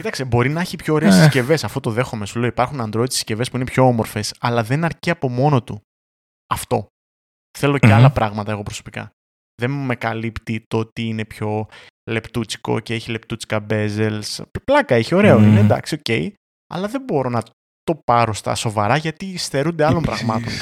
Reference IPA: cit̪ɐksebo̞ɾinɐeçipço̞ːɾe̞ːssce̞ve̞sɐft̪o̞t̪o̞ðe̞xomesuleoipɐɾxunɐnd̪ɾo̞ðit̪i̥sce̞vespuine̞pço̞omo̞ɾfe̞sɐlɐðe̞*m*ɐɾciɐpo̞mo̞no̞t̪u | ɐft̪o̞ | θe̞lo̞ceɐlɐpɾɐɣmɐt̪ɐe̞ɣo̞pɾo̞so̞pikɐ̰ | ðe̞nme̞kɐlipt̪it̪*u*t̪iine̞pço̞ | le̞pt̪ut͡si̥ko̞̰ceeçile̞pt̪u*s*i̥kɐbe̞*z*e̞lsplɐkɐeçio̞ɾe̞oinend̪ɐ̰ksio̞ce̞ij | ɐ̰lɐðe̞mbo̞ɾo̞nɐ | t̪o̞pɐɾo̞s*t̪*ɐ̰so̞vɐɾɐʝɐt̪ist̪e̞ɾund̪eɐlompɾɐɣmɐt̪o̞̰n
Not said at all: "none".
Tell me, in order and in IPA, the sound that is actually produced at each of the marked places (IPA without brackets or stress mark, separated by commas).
n, o, t͡s, z, t̪